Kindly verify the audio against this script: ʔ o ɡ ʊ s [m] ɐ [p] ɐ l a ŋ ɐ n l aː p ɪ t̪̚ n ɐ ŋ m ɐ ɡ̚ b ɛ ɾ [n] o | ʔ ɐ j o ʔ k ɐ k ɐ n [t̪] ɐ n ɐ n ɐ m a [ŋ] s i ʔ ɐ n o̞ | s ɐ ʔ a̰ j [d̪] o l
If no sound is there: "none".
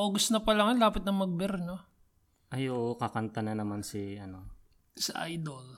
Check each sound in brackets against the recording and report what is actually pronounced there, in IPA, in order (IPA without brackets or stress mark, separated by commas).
n, p, n, t̪, n, d̪